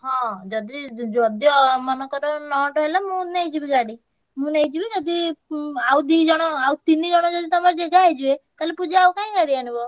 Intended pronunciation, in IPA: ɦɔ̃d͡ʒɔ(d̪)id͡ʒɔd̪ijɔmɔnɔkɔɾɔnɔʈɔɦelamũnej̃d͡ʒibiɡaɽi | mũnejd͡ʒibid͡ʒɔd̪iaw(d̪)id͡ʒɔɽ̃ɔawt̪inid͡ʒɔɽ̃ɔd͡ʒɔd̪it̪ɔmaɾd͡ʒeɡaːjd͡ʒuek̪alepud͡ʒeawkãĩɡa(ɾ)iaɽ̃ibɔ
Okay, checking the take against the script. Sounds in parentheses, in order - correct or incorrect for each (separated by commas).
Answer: correct, correct, incorrect